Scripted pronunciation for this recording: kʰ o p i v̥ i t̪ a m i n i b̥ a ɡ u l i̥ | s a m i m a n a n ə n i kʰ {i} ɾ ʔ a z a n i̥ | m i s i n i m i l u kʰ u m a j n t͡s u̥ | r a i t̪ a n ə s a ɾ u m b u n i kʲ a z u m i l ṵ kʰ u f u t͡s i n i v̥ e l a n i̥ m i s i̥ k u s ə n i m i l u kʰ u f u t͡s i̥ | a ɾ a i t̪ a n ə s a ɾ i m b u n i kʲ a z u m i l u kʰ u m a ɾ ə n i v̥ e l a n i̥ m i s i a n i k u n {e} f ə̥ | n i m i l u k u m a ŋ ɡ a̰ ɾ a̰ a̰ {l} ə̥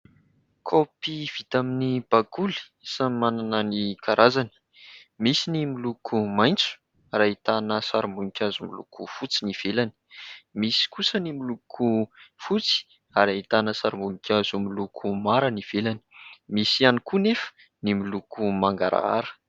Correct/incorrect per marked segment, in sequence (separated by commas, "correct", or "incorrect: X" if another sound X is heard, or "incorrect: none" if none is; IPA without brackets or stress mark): incorrect: a, correct, incorrect: ɾ